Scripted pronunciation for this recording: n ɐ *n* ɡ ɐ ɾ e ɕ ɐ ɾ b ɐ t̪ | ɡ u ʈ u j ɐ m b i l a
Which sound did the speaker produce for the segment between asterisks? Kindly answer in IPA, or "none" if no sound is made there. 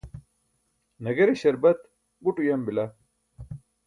none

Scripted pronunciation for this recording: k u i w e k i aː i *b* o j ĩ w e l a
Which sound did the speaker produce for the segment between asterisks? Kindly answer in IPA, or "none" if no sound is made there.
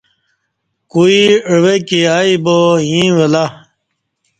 b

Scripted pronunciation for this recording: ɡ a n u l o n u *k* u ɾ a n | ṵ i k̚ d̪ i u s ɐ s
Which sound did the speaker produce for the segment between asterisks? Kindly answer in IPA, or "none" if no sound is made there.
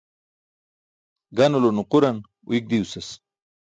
q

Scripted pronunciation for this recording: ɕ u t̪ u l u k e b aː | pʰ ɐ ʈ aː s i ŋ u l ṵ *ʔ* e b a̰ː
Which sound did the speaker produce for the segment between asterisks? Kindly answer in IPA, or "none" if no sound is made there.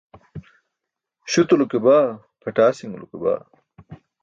k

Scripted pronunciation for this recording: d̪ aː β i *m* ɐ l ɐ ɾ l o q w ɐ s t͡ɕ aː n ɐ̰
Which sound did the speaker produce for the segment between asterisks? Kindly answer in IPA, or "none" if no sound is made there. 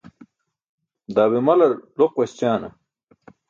m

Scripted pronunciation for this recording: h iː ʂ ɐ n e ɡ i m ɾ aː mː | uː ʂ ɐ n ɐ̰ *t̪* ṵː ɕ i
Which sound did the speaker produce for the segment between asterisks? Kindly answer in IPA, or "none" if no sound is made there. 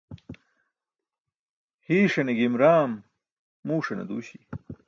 d̪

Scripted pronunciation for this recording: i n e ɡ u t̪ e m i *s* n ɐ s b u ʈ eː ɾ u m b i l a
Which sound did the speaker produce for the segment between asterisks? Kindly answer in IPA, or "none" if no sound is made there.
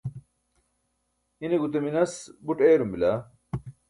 none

